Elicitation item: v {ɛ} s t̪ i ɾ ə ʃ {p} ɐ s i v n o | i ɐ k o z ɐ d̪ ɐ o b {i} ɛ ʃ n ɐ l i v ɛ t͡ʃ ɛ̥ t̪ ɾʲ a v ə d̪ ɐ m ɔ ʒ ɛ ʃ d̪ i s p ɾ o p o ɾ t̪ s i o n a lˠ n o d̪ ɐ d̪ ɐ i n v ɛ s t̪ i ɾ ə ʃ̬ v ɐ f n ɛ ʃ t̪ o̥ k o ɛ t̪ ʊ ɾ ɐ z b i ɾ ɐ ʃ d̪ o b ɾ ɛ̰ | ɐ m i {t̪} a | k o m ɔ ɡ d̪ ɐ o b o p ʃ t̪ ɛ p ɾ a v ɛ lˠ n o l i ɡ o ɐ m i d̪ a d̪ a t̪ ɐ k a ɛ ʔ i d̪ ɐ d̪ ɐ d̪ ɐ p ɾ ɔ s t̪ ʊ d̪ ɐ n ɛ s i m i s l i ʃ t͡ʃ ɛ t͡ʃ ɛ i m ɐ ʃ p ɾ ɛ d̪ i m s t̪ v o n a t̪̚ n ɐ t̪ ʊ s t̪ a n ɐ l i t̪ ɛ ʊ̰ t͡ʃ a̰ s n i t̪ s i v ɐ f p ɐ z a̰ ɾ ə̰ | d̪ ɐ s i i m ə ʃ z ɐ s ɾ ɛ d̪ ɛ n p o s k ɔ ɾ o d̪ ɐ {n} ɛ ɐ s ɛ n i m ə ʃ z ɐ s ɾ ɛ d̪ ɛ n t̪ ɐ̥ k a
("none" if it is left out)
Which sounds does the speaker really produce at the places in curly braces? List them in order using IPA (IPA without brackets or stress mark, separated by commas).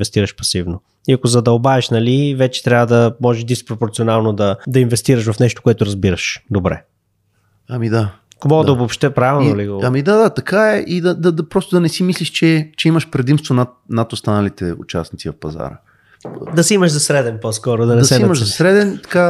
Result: ɛ, p, a, d̪, n